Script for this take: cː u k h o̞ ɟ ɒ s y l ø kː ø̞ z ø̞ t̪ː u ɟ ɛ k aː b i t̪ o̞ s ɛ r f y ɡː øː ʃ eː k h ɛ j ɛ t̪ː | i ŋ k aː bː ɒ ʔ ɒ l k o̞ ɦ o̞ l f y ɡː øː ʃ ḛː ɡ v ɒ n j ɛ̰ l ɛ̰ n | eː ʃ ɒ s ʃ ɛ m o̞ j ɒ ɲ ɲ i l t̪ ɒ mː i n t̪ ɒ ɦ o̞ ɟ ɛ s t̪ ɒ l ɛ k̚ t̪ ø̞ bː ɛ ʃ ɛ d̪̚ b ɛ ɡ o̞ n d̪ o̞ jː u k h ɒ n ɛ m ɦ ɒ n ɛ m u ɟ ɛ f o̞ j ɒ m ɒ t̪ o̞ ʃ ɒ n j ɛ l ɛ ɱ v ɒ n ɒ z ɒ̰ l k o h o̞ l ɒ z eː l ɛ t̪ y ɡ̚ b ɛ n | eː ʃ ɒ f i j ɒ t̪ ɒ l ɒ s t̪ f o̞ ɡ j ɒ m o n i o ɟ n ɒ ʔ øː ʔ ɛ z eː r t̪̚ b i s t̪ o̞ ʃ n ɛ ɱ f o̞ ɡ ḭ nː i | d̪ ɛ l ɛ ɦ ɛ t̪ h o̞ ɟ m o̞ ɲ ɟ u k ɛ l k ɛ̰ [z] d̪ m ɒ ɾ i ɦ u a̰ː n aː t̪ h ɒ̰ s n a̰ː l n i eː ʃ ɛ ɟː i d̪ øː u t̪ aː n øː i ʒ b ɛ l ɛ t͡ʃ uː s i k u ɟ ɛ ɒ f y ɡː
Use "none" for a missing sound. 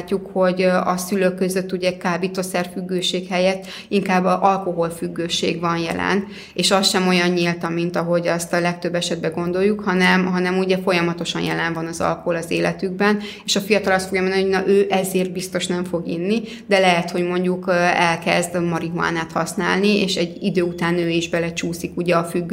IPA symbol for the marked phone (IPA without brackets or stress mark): z